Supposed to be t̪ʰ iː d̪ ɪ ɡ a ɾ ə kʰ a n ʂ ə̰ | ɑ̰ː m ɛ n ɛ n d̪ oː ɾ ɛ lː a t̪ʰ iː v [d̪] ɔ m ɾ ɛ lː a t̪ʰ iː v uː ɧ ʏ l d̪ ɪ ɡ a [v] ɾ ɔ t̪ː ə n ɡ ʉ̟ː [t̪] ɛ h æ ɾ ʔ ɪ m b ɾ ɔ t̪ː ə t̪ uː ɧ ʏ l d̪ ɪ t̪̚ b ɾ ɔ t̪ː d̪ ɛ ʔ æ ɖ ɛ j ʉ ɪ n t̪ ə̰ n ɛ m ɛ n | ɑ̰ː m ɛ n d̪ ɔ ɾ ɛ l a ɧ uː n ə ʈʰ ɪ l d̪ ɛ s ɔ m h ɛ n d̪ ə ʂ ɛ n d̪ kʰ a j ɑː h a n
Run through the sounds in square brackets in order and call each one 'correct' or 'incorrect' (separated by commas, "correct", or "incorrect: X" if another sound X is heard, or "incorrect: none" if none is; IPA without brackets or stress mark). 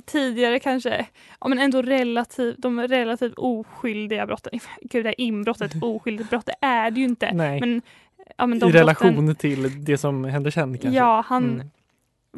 correct, incorrect: b, incorrect: d̪